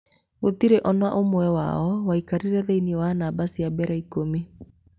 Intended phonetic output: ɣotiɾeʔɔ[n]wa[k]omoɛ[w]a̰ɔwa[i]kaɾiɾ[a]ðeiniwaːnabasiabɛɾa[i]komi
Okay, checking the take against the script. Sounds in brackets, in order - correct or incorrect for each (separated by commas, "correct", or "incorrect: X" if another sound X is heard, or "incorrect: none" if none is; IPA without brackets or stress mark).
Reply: correct, incorrect: ʔ, correct, correct, incorrect: ɛ, correct